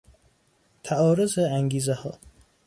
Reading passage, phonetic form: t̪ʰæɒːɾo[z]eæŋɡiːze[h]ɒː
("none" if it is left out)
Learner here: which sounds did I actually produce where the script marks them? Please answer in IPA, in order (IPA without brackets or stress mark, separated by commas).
z, h